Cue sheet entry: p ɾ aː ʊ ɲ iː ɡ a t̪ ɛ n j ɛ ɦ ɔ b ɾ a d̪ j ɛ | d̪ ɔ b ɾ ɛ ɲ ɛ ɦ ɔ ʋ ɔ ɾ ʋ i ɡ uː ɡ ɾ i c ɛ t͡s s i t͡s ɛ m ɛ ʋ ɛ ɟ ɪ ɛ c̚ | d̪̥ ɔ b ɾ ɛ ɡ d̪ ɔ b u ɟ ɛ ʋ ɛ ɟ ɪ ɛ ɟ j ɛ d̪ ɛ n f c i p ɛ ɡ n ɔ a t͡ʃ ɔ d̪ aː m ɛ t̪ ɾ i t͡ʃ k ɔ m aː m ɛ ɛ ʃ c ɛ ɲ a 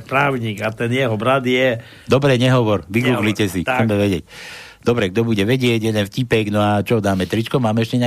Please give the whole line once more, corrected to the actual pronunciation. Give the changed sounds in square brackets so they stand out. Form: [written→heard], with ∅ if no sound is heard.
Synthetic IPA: p ɾ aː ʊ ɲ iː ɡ a t̪ ɛ n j ɛ ɦ ɔ b ɾ a d̪ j ɛ | d̪ ɔ b ɾ ɛ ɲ ɛ ɦ ɔ ʋ ɔ ɾ ʋ i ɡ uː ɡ [ɾ→l] i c ɛ [t͡s→∅] s i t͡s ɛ m ɛ ʋ ɛ ɟ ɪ ɛ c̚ | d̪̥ ɔ b ɾ ɛ ɡ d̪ ɔ b u ɟ ɛ ʋ ɛ ɟ ɪ ɛ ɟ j ɛ d̪ ɛ n f c i p ɛ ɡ n ɔ a t͡ʃ ɔ d̪ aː m ɛ t̪ ɾ i t͡ʃ k ɔ m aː m ɛ ɛ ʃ c ɛ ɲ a